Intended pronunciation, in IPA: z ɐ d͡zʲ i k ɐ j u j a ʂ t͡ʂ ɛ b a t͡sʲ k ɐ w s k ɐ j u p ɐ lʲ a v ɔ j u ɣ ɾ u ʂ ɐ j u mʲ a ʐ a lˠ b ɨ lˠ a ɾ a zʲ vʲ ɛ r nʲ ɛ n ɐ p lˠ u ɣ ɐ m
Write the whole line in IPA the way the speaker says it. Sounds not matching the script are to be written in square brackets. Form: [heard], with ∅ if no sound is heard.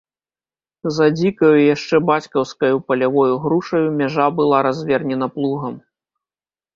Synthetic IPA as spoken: z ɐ d͡zʲ i k ɐ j u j a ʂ t͡ʂ ɛ b a t͡sʲ k ɐ w s k ɐ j u p ɐ lʲ a v ɔ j u ɣ ɾ u ʂ ɐ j u mʲ a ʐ a [∅] b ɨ lˠ a ɾ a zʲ vʲ ɛ r nʲ ɛ n ɐ p lˠ u ɣ ɐ m

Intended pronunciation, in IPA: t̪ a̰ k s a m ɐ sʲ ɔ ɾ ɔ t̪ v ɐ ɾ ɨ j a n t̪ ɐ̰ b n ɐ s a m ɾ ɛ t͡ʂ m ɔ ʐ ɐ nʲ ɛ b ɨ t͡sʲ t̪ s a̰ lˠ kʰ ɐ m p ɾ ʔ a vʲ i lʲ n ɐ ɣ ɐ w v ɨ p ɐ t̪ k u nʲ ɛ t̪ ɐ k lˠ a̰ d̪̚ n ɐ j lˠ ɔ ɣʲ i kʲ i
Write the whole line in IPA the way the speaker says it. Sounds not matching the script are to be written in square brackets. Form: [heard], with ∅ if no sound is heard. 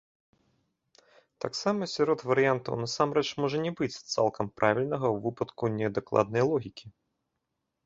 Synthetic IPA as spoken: t̪ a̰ k s a m ɐ sʲ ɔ ɾ ɔ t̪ v ɐ ɾ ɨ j a n t̪ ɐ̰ [w] n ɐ s a m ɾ ɛ t͡ʂ m ɔ ʐ ɐ nʲ ɛ b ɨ t͡sʲ t̪ s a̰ lˠ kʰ ɐ m p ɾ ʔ a vʲ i lʲ n ɐ ɣ ɐ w v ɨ p ɐ t̪ k u nʲ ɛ [d̪] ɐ k lˠ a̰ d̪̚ n ɐ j lˠ ɔ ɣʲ i kʲ i

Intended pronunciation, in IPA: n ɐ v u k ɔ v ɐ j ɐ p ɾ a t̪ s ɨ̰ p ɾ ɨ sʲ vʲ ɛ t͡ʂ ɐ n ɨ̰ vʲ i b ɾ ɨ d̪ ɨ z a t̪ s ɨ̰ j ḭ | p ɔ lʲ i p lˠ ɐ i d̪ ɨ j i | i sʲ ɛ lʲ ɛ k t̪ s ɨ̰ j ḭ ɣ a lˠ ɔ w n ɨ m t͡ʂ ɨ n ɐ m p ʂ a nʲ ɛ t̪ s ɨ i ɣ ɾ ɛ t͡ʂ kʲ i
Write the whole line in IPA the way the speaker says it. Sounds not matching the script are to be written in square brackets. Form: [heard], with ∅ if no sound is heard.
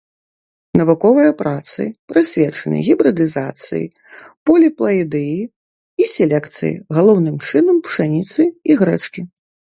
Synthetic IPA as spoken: n ɐ v u k ɔ v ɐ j ɐ p ɾ a t̪ s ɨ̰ p ɾ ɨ sʲ vʲ ɛ t͡ʂ ɐ n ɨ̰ [ɣʲ] i b ɾ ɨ d̪ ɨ z a t̪ s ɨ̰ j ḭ | p ɔ lʲ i p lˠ ɐ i d̪ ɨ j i | i sʲ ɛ lʲ ɛ k t̪ s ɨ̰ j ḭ ɣ a lˠ ɔ w n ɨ m t͡ʂ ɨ n ɐ m p ʂ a nʲ [i] t̪ s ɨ i ɣ ɾ ɛ t͡ʂ kʲ i

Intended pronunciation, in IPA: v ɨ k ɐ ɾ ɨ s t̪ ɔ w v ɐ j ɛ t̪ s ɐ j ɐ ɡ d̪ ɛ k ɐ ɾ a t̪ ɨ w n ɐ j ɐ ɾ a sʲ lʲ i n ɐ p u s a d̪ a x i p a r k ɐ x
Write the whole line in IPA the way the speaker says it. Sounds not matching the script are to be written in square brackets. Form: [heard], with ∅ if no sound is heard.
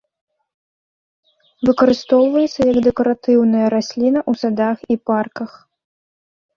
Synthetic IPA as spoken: v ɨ k ɐ ɾ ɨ s t̪ ɔ w v ɐ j ɛ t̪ s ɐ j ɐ ɡ d̪ ɛ k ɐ ɾ a t̪ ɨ w n ɐ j ɐ ɾ a sʲ lʲ i n ɐ [ʔ] u s a d̪ a x i p a r k ɐ x

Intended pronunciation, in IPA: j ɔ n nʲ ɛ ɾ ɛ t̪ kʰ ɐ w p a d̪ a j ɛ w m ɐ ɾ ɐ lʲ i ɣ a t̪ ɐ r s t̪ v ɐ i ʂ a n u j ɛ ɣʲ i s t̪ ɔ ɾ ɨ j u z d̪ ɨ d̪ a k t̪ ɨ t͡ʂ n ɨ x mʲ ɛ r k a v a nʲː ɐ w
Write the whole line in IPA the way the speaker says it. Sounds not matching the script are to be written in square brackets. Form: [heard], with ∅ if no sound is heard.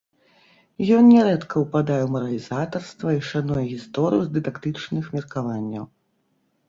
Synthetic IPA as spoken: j ɔ n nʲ ɛ ɾ ɛ t̪ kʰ ɐ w p a d̪ a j ɛ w m ɐ ɾ ɐ lʲ i [z] a t̪ ɐ r s t̪ v ɐ i ʂ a n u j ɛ ɣʲ i s t̪ ɔ ɾ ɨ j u z d̪ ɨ d̪ a k t̪ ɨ t͡ʂ n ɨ x mʲ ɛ r k a v a nʲː ɐ w

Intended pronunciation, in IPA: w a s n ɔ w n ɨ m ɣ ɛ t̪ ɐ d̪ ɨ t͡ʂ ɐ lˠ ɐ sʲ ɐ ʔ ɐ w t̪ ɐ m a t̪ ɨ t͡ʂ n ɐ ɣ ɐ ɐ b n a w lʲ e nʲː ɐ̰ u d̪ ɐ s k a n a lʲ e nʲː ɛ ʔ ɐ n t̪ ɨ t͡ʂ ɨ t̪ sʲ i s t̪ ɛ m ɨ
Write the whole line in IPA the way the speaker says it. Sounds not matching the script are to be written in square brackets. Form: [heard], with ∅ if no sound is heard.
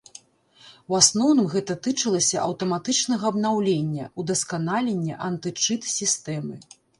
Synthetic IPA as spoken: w a s n ɔ w n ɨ m ɣ ɛ t̪ ɐ [t̪] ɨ t͡ʂ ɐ lˠ ɐ sʲ ɐ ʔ ɐ w t̪ ɐ m a t̪ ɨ t͡ʂ n ɐ ɣ ɐ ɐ b n a w lʲ e nʲː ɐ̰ u d̪ ɐ s k a n a lʲ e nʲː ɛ ʔ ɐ n t̪ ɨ t͡ʂ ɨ t̪ sʲ i s t̪ ɛ m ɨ

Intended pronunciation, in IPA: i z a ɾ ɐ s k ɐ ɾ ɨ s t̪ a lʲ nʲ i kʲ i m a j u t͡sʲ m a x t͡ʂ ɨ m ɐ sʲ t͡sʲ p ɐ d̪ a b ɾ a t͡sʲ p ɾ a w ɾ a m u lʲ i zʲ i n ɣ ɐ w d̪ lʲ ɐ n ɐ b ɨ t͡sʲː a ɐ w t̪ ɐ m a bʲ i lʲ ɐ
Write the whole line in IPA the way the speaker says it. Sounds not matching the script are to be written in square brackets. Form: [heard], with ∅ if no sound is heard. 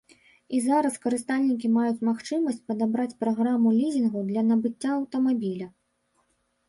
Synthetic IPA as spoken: i z a ɾ ɐ s k ɐ ɾ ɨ s t̪ a lʲ nʲ i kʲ i m a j u t͡sʲ m a x t͡ʂ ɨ m ɐ sʲ t͡sʲ p ɐ d̪ a b ɾ a t͡sʲ p ɾ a [ɣ] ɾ a m u lʲ i zʲ i n ɣ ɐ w d̪ lʲ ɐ n ɐ b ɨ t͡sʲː a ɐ w t̪ ɐ m a bʲ i lʲ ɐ

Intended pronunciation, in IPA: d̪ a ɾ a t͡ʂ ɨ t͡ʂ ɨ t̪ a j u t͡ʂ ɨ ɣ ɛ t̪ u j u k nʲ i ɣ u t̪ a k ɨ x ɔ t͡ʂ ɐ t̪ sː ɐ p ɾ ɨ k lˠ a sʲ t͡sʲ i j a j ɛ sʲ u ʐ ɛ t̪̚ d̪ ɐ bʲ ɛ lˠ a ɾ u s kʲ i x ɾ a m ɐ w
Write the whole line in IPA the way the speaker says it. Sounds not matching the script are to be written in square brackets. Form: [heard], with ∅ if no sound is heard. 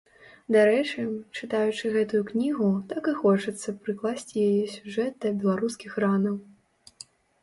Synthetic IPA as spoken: d̪ a ɾ [ɛ] t͡ʂ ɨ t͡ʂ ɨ t̪ a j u t͡ʂ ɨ ɣ ɛ t̪ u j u k nʲ i ɣ u t̪ a k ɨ x ɔ t͡ʂ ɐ t̪ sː ɐ p ɾ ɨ k lˠ a sʲ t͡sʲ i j a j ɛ sʲ u ʐ ɛ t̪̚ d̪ ɐ bʲ ɛ lˠ a ɾ u s kʲ i x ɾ a [n] ɐ w

